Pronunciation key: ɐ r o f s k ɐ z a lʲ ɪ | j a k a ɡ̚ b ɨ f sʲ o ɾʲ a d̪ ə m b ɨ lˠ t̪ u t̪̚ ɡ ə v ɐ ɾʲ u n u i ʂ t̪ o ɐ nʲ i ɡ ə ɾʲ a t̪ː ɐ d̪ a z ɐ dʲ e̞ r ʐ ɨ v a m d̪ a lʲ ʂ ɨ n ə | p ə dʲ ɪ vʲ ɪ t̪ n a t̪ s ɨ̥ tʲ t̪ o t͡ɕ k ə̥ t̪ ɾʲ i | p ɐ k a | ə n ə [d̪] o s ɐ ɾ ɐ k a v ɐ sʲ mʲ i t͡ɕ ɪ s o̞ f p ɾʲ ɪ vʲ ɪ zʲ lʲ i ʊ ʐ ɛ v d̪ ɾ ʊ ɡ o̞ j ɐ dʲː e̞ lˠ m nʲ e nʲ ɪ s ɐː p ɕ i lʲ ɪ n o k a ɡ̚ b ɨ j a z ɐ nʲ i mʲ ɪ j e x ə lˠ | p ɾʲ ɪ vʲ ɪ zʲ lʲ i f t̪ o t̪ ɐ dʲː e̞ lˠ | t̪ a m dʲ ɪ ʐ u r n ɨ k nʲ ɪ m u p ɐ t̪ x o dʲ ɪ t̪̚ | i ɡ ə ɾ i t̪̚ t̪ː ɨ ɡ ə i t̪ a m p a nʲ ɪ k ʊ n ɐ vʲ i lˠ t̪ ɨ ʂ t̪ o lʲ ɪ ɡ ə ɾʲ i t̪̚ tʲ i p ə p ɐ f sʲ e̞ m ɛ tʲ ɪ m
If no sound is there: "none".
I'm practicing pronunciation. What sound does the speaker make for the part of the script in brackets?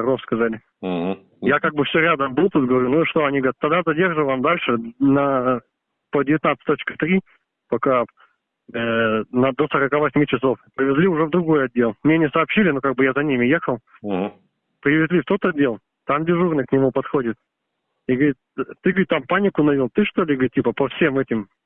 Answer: d̪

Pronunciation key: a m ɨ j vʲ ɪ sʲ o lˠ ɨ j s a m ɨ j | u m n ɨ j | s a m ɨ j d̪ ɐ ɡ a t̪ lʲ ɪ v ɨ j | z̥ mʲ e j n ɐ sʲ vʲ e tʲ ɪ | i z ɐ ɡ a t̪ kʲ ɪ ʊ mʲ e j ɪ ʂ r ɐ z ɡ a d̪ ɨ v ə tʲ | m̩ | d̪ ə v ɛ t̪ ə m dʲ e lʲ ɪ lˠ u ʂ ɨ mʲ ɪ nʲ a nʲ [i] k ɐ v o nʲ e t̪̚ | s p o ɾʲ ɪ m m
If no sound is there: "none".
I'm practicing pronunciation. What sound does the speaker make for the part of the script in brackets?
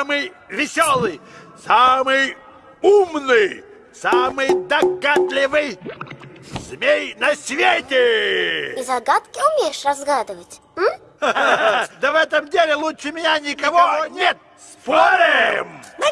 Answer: ɪ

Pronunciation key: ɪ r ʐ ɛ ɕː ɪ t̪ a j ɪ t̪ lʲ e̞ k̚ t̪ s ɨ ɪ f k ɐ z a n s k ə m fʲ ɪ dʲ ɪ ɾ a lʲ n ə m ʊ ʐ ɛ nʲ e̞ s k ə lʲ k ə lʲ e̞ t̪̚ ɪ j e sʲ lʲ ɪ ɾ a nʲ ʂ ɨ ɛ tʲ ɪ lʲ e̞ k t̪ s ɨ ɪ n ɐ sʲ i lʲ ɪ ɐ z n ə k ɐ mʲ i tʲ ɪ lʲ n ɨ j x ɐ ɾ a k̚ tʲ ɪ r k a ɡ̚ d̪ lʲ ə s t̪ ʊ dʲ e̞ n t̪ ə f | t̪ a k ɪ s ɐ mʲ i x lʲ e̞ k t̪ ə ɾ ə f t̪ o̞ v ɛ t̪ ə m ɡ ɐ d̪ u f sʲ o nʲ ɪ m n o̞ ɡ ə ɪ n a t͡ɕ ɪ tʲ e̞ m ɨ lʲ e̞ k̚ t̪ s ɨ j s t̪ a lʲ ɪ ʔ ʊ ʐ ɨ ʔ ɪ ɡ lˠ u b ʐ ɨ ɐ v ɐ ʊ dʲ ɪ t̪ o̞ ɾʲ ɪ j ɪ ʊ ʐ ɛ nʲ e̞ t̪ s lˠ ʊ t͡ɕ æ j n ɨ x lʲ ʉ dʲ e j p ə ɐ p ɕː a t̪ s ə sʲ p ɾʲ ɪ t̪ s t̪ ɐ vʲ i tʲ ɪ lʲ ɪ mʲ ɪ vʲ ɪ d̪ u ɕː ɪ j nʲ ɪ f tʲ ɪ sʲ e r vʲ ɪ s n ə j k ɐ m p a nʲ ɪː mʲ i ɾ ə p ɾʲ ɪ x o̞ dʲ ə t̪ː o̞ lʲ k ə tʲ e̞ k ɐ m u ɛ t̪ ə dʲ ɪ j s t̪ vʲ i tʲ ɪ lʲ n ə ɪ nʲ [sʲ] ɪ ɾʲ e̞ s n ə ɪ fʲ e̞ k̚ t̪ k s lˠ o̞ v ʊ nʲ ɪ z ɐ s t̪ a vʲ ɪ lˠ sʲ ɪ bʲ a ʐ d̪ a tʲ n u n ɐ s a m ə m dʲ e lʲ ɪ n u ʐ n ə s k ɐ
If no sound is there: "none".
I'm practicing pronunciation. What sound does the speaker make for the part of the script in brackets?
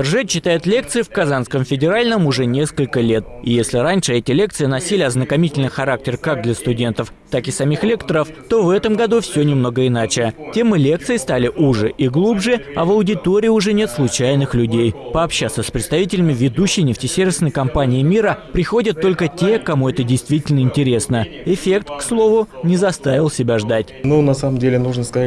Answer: tʲ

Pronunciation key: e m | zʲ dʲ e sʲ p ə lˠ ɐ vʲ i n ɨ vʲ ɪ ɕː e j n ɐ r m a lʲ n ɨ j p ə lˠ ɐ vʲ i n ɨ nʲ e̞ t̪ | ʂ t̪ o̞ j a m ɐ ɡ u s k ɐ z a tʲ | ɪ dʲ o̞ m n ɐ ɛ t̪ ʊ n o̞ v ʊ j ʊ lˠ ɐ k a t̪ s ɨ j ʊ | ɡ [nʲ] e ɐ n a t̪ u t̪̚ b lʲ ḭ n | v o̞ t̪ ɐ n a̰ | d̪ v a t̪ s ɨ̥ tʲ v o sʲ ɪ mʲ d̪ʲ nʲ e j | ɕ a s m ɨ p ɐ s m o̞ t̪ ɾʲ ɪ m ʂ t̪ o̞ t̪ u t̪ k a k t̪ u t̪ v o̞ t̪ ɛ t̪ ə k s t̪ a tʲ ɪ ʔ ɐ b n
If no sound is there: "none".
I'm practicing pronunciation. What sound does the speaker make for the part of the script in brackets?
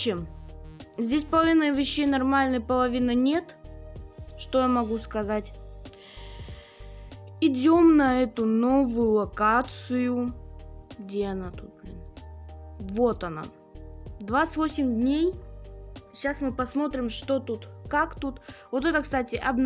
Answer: dʲ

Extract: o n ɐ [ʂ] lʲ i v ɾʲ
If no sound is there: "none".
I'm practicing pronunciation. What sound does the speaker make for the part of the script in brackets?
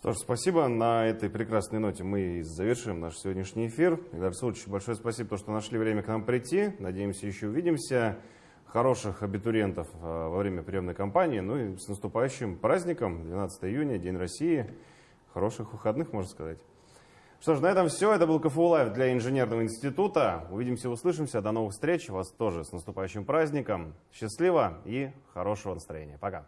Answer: ʂ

